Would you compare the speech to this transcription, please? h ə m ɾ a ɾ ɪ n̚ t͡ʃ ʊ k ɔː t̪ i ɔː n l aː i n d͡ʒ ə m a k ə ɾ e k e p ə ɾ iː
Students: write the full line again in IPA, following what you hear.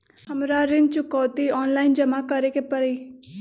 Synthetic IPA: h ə m ɾ a ɾ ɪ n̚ t͡ʃ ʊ k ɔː t̪ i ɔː n l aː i n d͡ʒ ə m a k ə ɾ e k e p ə ɾ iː